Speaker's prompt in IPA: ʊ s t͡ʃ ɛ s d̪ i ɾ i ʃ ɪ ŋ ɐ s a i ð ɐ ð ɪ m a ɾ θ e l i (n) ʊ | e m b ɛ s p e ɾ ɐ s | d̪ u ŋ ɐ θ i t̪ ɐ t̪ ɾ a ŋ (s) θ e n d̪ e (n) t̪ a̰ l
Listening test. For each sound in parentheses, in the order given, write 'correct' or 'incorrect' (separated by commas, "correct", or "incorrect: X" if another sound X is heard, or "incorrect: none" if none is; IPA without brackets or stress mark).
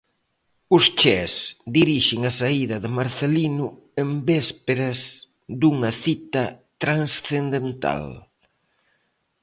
correct, correct, correct